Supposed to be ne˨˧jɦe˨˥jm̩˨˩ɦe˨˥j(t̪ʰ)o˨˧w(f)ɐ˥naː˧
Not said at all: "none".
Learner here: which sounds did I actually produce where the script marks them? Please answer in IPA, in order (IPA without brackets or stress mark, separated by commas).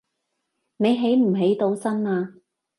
t̪, s